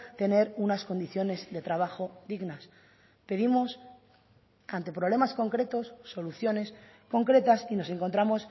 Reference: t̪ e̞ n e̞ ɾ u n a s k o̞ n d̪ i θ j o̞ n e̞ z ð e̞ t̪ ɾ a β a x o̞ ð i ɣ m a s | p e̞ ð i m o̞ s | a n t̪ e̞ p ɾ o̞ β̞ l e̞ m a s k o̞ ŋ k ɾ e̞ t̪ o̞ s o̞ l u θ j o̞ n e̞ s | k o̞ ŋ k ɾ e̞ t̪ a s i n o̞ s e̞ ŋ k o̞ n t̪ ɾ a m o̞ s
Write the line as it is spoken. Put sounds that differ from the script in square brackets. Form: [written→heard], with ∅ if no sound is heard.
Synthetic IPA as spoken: t̪ e̞ n e̞ ɾ u n a s k o̞ n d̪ i θ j o̞ n e̞ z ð e̞ t̪ ɾ a β a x o̞ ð i ɣ [m→n] a s | p e̞ ð i m o̞ s | a n t̪ e̞ p ɾ o̞ β̞ l e̞ m a s k o̞ ŋ k ɾ e̞ t̪ o̞ [s→sː] o̞ l u θ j o̞ n e̞ s | k o̞ ŋ k ɾ e̞ t̪ a s i n o̞ s e̞ ŋ k o̞ n t̪ ɾ a m o̞ s

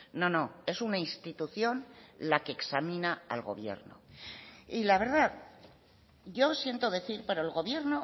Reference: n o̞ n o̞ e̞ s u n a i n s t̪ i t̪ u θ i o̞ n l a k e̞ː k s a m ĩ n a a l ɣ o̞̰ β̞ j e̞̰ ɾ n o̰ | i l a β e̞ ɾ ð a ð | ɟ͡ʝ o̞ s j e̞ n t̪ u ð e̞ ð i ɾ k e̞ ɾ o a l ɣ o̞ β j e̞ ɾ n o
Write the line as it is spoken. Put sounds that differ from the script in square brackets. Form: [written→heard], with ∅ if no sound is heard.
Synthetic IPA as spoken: n o̞ n o̞ e̞ s u n a i n s t̪ i t̪ u θ [i→j] o̞ n l a k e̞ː k s a m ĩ n a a l ɣ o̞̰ β̞ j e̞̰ ɾ n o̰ | i l a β e̞ ɾ ð a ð | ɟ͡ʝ o̞ s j e̞ n t̪ [u→o] ð e̞ [ð→θ] i ɾ [k→p] e̞ ɾ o [a→e] l ɣ o̞ β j e̞ ɾ n o

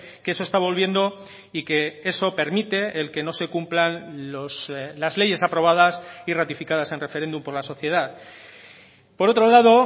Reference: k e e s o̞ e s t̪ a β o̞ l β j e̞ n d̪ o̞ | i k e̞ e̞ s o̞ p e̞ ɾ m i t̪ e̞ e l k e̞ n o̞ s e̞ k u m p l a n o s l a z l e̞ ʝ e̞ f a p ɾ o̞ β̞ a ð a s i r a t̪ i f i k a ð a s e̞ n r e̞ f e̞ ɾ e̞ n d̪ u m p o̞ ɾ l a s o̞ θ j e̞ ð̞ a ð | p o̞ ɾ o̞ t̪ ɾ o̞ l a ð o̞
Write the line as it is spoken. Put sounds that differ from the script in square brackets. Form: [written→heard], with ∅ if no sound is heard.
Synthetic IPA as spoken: k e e s o̞ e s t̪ a β o̞ l β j e̞ n d̪ o̞ | i k e̞ e̞ s o̞ p e̞ ɾ m i t̪ e̞ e l k e̞ n o̞ s e̞ k u m p l a n o s l a z l e̞ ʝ e̞ [f→s] a p ɾ o̞ β̞ a ð a s i r a t̪ i f i k a ð a s e̞ n r e̞ f e̞ ɾ e̞ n d̪ u m p o̞ ɾ l a s o̞ θ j e̞ ð̞ a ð | p o̞ ɾ o̞ t̪ ɾ o̞ l a ð o̞

